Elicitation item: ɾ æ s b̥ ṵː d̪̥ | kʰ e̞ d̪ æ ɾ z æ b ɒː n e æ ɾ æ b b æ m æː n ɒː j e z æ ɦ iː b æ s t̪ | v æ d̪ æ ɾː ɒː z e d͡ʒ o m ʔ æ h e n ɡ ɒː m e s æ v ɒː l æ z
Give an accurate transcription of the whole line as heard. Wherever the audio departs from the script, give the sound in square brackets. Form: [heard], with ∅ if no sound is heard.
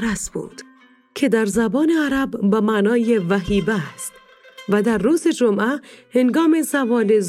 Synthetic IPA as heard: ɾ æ s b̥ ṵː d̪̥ | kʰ e̞ d̪ æ ɾ z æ b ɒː n e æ ɾ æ b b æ m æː n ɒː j e [v] æ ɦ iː b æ s t̪ | v æ d̪ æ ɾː [uː] z e d͡ʒ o m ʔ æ h e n ɡ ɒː m e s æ v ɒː l [e] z